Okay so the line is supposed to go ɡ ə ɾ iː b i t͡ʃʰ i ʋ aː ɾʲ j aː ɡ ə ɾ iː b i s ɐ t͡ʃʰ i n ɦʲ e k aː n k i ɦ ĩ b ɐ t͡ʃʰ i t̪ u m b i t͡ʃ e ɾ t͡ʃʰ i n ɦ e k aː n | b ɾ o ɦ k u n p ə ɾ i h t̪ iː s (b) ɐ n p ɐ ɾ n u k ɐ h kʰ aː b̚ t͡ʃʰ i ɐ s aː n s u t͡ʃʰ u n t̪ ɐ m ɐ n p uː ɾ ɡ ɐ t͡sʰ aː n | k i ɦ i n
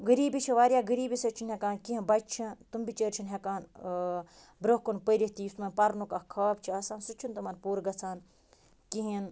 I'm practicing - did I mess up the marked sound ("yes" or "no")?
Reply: yes